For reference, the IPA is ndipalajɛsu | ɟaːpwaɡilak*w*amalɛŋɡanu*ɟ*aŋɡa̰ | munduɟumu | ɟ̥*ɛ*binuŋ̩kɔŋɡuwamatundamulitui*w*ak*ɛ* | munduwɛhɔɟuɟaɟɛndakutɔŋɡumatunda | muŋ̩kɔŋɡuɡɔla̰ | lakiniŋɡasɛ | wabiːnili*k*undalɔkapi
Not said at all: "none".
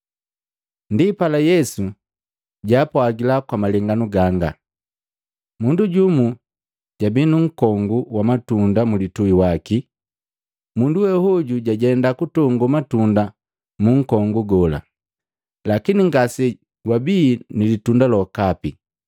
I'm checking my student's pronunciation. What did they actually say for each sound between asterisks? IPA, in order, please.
w, ɡ, a, w, i, t

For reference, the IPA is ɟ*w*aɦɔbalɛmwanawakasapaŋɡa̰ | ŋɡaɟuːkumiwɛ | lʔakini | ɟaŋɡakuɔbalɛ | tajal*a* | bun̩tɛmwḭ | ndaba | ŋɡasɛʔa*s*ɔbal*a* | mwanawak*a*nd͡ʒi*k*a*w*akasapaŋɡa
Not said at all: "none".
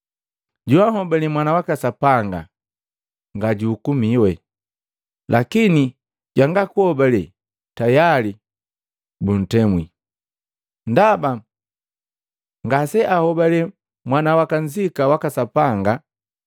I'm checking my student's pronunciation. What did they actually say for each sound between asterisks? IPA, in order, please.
u, i, h, ɛ, a, k, w

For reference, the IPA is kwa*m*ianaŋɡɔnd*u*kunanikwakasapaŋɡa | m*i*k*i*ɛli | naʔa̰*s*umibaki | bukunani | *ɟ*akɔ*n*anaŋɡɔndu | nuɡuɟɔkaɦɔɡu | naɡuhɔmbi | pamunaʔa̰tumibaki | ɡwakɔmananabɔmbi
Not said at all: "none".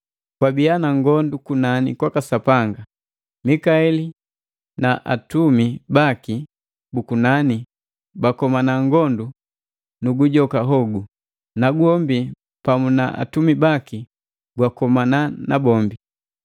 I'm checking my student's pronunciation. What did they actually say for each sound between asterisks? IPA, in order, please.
b, u, i, a, t, b, m

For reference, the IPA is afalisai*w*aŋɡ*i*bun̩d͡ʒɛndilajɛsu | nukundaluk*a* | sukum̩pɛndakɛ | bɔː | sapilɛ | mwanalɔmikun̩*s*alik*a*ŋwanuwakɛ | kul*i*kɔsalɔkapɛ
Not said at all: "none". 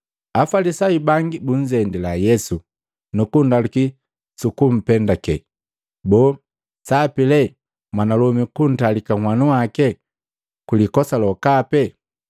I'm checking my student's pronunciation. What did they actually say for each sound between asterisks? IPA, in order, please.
b, i, i, t, a, i

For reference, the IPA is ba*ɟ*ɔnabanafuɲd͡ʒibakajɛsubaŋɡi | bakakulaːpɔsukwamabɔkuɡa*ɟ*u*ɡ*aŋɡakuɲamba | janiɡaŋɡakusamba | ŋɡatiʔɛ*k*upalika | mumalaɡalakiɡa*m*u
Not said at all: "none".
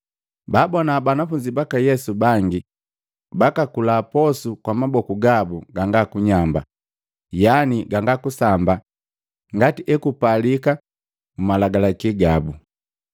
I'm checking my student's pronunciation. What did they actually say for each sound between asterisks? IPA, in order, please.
b, b, ɡ, k, b

